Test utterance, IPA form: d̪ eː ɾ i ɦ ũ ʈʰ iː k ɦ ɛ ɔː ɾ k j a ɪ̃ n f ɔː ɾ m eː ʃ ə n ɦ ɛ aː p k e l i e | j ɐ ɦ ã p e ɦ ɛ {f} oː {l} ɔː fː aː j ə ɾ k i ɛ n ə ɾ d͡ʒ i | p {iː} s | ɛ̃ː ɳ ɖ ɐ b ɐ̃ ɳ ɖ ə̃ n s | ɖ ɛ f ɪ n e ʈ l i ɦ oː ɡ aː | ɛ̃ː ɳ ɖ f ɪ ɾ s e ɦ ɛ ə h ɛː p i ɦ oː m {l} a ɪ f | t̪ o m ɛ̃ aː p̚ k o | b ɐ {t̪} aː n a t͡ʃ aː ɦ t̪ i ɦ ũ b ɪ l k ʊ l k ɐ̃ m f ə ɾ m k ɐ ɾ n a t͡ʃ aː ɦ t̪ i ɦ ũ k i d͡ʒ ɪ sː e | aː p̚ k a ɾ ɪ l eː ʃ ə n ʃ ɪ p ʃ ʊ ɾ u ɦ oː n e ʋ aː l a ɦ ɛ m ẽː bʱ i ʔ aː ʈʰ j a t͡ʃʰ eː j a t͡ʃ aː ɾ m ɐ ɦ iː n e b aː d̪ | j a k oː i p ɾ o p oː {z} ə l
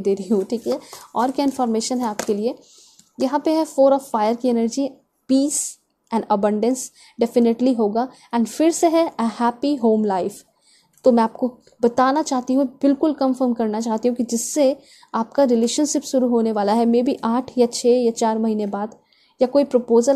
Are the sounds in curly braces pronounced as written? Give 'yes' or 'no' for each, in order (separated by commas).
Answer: yes, no, yes, yes, yes, yes